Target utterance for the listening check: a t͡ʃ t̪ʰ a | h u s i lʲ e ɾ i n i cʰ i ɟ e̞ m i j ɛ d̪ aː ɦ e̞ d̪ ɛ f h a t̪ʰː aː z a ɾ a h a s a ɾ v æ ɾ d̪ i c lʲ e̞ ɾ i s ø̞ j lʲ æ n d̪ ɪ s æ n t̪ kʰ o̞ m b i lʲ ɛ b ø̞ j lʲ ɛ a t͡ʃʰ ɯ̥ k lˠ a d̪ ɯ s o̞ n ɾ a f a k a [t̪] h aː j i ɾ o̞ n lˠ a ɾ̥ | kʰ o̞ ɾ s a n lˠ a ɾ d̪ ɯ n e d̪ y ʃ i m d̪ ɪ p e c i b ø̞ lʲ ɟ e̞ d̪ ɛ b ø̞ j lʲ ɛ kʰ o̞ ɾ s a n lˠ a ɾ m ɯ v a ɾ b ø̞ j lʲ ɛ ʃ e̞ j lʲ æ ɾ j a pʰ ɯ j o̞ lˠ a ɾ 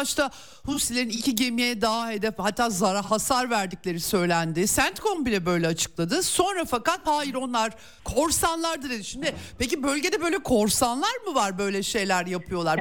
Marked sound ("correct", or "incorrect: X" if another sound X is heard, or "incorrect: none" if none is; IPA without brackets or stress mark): correct